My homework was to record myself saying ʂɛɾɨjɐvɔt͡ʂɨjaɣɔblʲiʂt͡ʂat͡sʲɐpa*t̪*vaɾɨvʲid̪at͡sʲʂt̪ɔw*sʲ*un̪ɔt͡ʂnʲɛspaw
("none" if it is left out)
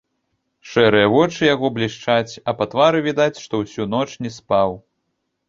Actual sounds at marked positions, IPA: t̪, sʲ

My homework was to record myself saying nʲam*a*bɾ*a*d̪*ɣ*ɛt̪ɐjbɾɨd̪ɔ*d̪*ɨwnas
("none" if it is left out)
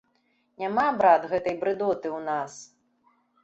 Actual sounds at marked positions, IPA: a, a, ɣ, t̪

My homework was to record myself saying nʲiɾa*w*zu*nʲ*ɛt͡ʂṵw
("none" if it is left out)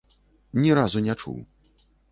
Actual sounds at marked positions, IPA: none, nʲ

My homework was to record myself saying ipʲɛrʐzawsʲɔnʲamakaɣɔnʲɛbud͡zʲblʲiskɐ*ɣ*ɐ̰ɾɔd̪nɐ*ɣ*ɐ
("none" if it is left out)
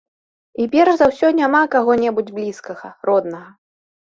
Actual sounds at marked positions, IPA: ɣ, ɣ

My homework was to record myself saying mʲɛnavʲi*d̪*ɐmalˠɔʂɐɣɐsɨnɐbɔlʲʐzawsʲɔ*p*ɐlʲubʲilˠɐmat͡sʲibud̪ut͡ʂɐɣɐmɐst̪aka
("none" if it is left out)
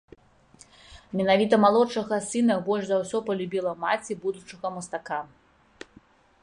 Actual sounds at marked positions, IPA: t̪, p

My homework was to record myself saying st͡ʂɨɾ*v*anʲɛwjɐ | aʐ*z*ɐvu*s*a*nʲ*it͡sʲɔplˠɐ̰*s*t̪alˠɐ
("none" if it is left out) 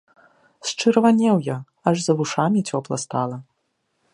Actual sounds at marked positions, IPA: v, z, ʂ, mʲ, s

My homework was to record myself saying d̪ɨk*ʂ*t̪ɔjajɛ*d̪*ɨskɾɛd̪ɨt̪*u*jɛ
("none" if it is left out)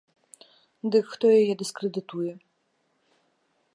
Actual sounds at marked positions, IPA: x, d̪, u

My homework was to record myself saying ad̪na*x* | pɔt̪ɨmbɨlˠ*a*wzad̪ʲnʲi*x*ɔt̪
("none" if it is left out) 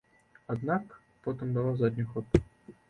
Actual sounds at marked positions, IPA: k, a, x

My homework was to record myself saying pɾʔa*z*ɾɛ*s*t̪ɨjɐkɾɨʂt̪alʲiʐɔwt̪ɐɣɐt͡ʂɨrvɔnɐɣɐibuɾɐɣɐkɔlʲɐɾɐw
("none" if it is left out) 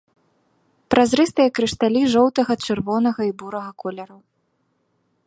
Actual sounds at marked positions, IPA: z, s

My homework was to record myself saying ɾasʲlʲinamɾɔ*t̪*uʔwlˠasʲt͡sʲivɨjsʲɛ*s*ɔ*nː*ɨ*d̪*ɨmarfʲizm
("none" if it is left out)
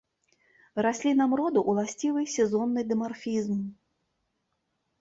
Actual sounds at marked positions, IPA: d̪, z, nː, d̪

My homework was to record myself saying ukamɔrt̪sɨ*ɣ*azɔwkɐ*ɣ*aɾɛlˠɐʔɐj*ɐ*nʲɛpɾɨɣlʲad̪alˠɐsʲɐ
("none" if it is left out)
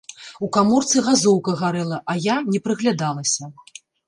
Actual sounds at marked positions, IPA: ɣ, ɣ, a

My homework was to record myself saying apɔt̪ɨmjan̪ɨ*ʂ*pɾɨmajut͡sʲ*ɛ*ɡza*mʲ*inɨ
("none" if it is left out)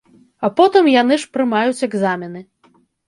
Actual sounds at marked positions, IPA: ʂ, ɛ, mʲ

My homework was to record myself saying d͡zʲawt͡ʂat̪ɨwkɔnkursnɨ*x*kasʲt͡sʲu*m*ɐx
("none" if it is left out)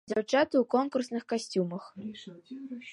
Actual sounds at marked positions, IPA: x, m

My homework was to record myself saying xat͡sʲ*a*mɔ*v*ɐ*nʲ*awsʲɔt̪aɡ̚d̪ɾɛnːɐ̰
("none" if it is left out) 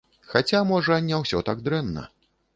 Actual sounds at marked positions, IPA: a, ʐ, nʲ

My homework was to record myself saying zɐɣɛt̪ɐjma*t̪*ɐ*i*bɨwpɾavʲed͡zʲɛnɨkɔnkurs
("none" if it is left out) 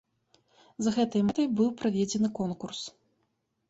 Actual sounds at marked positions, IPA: t̪, j

